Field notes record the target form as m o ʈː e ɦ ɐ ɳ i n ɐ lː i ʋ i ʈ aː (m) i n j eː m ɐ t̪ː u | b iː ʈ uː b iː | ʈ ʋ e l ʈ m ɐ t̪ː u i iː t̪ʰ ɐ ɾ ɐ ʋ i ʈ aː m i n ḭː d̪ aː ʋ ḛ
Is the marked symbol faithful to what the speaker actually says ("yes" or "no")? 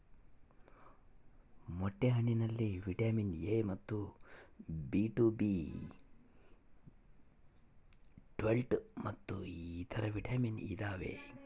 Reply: yes